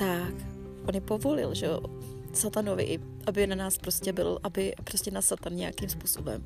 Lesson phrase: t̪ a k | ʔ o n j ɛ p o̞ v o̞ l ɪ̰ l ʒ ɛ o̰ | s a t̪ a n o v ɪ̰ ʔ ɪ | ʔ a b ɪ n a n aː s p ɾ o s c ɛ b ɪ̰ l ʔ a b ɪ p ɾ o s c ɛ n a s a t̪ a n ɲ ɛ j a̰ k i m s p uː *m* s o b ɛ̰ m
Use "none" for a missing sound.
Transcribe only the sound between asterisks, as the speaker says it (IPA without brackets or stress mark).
none